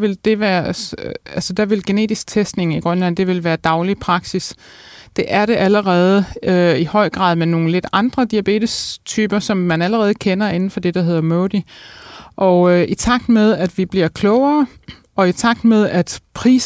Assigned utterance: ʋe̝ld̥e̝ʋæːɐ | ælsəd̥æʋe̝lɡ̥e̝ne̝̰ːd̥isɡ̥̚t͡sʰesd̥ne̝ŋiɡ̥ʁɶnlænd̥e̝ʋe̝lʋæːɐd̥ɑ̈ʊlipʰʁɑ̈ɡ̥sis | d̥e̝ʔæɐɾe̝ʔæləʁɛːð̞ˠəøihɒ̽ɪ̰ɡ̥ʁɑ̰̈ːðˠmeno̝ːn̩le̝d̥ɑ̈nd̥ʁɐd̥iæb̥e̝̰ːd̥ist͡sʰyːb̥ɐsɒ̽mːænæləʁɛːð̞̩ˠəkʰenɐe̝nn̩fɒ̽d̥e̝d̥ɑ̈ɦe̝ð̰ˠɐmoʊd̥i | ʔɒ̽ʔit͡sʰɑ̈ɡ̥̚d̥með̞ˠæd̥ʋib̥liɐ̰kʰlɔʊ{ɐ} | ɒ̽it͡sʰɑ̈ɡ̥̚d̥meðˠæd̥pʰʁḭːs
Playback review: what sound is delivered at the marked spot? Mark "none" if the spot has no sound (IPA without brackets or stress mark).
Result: ɐː